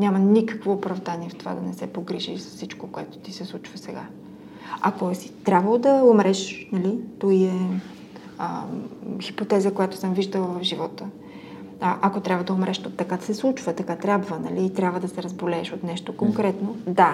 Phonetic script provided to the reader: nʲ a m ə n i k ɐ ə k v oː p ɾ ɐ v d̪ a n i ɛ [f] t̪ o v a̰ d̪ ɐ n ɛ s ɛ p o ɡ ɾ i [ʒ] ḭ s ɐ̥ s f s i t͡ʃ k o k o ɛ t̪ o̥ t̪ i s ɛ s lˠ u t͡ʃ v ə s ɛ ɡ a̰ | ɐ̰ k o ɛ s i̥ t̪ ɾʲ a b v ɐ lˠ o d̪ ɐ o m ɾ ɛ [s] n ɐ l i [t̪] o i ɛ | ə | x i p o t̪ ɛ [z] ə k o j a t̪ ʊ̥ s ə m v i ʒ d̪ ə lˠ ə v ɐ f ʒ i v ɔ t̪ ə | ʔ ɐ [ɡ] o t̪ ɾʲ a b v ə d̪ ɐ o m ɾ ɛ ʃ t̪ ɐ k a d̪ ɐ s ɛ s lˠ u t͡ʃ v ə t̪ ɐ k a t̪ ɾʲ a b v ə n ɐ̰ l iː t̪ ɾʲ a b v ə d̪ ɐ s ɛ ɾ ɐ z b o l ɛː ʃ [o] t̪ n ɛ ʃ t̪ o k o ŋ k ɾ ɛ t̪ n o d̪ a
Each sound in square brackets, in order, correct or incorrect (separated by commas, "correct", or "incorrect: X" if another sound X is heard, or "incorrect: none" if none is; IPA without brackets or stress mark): correct, correct, incorrect: ʃ, correct, correct, incorrect: k, correct